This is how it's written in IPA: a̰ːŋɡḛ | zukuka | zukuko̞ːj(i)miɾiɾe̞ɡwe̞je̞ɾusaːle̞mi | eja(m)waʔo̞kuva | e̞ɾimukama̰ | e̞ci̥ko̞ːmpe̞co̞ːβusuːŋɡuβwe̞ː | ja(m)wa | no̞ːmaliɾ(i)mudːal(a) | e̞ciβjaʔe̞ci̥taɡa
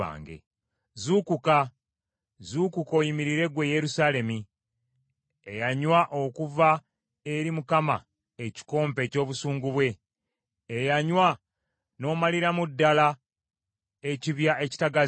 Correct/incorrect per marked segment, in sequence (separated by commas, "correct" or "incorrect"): correct, incorrect, incorrect, incorrect, correct